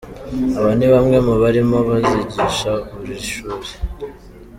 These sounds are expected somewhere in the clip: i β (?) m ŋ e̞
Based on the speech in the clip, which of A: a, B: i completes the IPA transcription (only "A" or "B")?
A